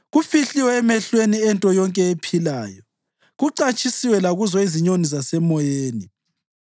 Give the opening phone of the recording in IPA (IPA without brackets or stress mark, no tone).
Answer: ɣ